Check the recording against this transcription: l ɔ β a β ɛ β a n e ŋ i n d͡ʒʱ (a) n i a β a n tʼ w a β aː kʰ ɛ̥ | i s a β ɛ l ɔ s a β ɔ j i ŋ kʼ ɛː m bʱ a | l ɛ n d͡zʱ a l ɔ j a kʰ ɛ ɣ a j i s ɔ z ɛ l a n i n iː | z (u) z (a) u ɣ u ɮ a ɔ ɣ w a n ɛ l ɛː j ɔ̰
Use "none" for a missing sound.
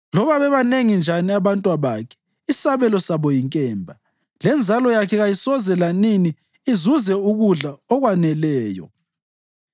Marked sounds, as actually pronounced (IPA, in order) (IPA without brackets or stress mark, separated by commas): a, u, ɛ